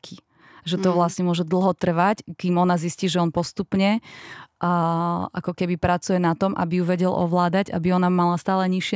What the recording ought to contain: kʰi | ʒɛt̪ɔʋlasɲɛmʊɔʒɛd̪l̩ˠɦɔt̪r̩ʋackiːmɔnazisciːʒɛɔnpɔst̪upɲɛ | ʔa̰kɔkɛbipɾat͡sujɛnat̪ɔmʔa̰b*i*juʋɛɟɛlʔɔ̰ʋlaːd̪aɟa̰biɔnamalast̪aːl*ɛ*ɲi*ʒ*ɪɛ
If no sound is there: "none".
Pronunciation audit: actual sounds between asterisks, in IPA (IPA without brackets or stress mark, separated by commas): i, ɛ, ʃ